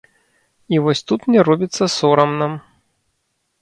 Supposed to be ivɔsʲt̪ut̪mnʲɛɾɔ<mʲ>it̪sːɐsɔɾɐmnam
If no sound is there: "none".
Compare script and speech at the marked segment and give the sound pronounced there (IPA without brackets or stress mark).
bʲ